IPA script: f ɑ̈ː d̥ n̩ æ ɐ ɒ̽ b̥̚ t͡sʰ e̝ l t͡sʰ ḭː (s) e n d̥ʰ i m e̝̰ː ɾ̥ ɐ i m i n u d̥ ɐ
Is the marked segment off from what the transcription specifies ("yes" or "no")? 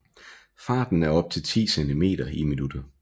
no